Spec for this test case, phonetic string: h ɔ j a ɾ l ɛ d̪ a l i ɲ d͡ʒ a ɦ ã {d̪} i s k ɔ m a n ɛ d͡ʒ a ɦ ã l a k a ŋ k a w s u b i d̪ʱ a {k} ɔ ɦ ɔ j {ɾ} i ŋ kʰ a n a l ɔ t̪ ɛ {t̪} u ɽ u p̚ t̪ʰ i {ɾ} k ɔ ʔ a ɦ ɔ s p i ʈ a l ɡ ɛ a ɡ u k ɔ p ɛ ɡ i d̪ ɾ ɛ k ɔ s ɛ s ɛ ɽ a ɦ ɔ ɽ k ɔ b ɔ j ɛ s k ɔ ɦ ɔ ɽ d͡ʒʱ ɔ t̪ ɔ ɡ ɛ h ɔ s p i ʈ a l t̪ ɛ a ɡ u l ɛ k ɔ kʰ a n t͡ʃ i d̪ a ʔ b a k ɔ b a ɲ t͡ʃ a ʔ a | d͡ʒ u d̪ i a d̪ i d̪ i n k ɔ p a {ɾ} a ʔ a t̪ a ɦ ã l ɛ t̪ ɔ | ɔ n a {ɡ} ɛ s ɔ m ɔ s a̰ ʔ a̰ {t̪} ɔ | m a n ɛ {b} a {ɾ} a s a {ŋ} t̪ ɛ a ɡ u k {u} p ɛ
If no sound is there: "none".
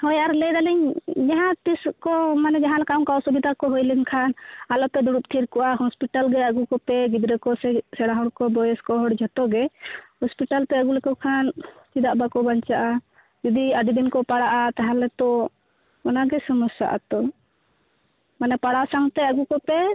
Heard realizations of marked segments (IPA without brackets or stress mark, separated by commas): t̪, k, l, d̪, ɾ, ɽ, ɡ, t̪, p, ɽ, ŋ, ɔ